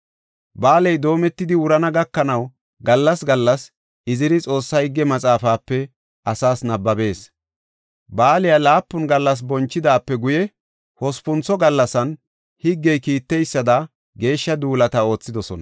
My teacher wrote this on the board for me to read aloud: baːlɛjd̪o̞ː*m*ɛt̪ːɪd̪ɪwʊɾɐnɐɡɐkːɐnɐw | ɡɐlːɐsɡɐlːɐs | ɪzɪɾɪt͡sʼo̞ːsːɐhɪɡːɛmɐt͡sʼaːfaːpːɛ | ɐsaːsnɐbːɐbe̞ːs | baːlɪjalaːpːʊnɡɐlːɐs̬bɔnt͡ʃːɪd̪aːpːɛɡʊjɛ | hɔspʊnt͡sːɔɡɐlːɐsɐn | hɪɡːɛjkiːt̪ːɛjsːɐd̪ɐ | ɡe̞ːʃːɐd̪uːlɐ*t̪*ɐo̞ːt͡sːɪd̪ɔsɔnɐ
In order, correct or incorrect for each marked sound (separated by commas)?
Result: correct, correct